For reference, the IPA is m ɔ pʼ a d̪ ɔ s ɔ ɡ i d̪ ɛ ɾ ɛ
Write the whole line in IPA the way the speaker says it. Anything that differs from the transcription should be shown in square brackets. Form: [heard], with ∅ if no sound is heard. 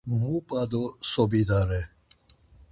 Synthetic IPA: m [u] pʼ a d̪ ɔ s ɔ [b] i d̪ [a] ɾ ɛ